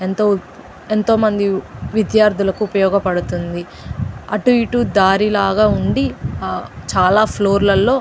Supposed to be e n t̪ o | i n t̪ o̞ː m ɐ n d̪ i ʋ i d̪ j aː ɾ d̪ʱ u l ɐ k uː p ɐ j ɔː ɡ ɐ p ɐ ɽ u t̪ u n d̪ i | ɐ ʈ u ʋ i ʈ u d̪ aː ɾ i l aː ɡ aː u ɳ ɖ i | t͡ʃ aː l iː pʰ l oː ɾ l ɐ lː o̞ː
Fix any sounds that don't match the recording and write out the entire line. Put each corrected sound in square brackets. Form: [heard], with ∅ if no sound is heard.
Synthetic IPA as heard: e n t̪ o | [e] n t̪ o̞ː m ɐ n d̪ i ʋ i d̪ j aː ɾ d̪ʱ u l ɐ k uː p ɐ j ɔː ɡ ɐ p ɐ ɽ u t̪ u n d̪ i | ɐ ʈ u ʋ i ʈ u d̪ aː ɾ i l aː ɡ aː u ɳ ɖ i | t͡ʃ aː l [aː] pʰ l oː ɾ l ɐ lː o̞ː